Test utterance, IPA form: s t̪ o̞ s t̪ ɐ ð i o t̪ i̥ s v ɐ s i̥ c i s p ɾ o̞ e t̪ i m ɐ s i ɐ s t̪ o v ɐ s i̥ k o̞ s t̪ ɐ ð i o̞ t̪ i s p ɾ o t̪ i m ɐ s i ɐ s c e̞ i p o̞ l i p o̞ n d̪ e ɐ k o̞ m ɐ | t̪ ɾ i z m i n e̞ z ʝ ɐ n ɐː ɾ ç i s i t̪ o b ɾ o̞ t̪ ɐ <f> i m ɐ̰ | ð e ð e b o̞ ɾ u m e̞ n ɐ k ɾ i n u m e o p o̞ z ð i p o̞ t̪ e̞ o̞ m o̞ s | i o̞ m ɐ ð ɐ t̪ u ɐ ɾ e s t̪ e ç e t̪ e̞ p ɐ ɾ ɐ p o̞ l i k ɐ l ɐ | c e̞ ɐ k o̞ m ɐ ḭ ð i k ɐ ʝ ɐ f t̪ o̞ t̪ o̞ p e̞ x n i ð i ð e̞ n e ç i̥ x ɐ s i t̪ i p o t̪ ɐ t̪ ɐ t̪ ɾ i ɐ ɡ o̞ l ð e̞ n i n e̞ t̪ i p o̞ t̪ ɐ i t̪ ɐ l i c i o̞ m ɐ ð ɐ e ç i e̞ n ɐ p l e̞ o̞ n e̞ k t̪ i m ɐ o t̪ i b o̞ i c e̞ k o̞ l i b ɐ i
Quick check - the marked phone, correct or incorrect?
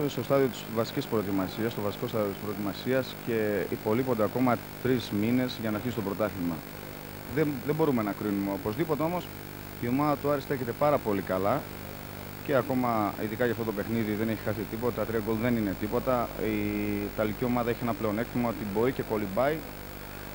incorrect